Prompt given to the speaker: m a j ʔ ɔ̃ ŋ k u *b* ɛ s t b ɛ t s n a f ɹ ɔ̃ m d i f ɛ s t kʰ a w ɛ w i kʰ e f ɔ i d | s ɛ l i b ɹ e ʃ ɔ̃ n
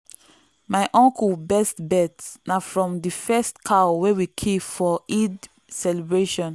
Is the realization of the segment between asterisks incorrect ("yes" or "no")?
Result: no